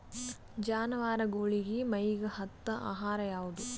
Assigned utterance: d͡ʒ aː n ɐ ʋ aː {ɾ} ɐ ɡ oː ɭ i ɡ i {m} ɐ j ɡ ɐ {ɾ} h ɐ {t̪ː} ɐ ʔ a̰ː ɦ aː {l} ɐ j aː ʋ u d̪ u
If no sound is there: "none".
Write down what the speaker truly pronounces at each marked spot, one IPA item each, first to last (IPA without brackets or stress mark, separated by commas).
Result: ɾ, m, none, t̪ː, ɾ